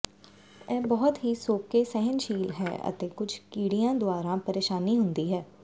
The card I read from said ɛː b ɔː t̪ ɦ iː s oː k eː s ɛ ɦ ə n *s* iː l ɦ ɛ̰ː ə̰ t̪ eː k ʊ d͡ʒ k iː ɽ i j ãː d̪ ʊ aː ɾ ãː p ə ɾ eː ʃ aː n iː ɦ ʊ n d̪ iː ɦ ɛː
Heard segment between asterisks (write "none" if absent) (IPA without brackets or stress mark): ʃ